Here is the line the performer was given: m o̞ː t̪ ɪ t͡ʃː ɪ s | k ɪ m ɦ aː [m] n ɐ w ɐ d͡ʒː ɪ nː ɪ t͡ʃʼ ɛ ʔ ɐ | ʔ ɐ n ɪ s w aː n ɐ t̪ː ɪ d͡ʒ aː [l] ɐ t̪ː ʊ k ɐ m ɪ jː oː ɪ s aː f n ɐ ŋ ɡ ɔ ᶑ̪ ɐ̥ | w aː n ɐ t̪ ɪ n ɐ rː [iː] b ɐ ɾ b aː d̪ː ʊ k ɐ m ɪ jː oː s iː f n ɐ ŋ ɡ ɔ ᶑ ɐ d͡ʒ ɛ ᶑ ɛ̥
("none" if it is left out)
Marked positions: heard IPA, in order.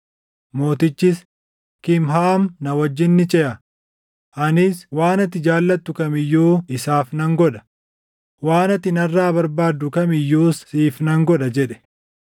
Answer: m, lː, aː

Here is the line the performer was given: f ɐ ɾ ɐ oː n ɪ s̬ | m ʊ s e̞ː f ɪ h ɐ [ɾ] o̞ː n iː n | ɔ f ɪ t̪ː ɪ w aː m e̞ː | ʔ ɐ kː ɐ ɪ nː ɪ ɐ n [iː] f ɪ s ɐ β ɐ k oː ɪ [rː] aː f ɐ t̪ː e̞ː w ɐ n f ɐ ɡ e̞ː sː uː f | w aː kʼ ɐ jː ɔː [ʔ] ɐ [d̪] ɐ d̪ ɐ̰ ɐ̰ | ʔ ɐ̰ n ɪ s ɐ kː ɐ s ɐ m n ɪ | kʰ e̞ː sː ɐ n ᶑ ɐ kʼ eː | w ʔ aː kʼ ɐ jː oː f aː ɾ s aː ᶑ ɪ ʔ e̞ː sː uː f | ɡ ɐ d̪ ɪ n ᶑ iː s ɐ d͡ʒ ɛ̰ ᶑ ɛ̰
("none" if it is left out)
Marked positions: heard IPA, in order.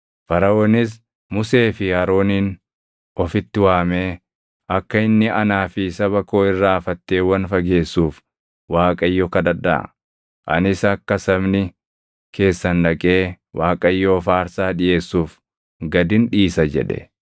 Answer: ɾ, aː, rː, k, d̪

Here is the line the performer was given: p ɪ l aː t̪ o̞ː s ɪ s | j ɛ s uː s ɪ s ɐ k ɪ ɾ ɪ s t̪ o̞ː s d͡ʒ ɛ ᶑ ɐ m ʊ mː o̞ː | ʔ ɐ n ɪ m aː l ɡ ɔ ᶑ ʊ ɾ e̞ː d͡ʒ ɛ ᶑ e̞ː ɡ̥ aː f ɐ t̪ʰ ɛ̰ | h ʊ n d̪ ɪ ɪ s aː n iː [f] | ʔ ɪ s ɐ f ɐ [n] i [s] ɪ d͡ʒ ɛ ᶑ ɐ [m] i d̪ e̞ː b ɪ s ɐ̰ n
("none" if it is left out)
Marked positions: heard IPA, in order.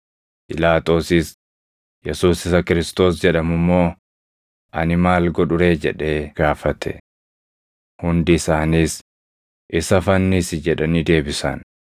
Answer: s, nː, s, n

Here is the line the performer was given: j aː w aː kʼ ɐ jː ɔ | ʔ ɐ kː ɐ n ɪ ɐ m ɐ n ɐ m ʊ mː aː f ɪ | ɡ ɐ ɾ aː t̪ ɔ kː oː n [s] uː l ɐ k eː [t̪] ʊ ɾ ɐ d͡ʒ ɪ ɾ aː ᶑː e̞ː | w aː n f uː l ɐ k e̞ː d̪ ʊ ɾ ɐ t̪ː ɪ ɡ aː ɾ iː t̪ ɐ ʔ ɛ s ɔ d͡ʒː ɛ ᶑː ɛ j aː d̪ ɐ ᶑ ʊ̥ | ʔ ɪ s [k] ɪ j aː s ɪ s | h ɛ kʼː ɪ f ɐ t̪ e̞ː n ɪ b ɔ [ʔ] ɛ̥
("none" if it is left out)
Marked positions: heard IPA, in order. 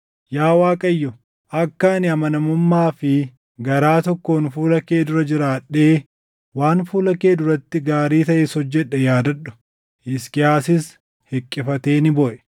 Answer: f, d̪, k, ʔ

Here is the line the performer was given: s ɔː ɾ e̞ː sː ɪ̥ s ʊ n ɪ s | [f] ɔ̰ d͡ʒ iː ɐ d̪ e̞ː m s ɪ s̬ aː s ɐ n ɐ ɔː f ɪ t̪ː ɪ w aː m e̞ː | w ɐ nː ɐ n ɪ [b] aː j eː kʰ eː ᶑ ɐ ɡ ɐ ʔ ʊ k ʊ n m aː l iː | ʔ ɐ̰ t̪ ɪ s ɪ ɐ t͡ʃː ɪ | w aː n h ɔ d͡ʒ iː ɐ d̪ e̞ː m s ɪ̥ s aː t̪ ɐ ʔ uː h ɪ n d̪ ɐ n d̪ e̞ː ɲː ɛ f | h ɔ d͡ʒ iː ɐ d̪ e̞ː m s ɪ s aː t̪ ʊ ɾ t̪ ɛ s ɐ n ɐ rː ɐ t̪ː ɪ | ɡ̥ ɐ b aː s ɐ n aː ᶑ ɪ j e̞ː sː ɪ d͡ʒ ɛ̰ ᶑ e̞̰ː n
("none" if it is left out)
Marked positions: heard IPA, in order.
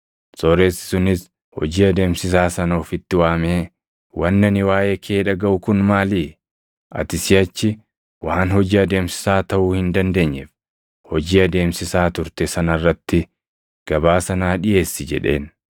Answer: h, w

